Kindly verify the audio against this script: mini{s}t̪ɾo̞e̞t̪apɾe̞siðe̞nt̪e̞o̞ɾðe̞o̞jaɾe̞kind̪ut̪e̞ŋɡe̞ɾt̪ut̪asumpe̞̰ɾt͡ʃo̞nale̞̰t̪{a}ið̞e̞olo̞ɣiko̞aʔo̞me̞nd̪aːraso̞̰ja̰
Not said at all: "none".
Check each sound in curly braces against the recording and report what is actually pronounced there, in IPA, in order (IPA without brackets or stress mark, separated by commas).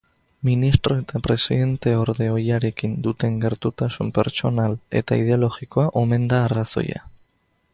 s, a